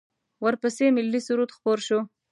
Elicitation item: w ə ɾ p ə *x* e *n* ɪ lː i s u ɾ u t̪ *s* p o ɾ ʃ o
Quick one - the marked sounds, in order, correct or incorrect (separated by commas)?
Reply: incorrect, incorrect, incorrect